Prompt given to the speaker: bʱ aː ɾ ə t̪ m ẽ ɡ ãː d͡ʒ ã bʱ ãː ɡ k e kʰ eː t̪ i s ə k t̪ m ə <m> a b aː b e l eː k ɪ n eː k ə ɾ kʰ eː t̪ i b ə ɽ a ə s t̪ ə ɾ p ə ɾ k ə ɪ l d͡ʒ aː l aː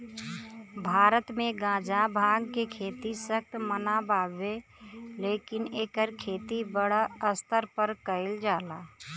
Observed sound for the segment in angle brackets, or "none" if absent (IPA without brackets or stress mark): n